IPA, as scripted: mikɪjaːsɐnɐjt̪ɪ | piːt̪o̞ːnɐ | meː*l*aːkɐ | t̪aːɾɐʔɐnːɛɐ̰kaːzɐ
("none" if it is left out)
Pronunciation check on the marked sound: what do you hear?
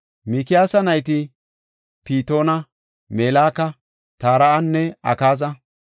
l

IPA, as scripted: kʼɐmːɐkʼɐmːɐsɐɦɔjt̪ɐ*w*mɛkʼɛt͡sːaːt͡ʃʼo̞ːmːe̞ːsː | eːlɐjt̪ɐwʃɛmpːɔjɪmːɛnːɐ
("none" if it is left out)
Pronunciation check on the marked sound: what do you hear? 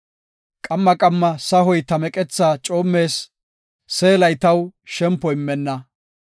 none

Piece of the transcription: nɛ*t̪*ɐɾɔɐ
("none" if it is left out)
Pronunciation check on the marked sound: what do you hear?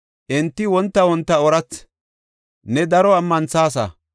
d̪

